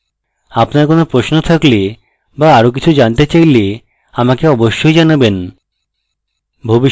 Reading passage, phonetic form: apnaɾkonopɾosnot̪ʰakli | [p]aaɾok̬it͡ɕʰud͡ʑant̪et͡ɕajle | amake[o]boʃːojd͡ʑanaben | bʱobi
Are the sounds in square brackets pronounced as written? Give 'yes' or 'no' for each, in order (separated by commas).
no, no